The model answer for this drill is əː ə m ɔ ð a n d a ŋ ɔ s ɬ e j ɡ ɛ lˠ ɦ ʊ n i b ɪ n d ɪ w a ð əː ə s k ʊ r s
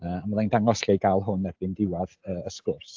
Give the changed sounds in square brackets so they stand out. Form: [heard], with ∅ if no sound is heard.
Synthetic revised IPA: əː [a] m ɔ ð a n d a ŋ ɔ s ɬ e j ɡ [a] lˠ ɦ ʊ n [ɛ] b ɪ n d ɪ w a ð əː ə s k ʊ r s